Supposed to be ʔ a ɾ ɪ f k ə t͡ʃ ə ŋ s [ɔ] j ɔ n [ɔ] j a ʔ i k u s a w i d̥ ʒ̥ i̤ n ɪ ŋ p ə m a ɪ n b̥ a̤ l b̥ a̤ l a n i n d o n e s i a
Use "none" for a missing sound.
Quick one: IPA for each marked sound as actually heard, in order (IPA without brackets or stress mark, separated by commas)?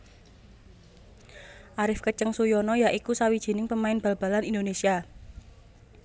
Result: u, ɔ